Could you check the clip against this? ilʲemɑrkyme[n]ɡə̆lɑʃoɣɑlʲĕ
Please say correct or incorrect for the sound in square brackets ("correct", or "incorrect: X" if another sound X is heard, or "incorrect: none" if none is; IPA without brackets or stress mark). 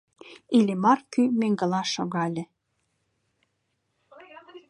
incorrect: ŋ